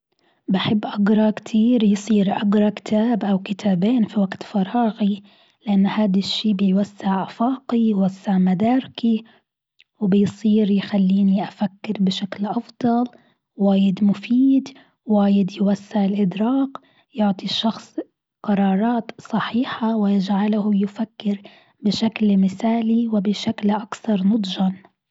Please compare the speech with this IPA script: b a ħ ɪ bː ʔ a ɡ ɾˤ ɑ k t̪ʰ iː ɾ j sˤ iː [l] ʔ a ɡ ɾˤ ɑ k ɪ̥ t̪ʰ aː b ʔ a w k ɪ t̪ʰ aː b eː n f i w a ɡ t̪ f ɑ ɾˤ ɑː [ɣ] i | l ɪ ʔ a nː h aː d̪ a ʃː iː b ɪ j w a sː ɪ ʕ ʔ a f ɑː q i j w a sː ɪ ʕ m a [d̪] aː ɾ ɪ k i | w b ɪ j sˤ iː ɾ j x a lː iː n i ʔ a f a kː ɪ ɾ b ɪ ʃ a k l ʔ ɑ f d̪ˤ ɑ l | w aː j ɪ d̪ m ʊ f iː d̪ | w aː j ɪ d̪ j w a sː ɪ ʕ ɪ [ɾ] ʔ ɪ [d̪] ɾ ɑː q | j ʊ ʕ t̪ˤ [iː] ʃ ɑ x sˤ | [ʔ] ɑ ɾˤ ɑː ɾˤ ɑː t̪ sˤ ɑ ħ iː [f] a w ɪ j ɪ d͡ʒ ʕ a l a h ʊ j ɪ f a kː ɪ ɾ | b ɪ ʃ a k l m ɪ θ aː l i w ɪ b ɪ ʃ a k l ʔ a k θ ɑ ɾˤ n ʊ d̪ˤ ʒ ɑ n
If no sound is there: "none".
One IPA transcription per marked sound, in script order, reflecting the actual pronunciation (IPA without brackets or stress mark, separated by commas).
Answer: ɾ, ɣ, d̪, l, d̪, i, q, ħ